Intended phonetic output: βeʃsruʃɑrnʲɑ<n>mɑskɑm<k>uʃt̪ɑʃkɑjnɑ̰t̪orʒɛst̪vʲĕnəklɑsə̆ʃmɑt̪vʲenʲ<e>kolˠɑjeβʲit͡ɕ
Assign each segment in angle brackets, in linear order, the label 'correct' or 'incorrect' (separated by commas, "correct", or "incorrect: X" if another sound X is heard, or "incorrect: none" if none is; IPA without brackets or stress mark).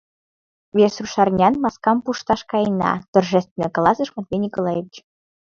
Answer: correct, incorrect: p, incorrect: i